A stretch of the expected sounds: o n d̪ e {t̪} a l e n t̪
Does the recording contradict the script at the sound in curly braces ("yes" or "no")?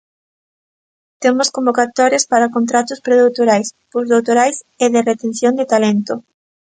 no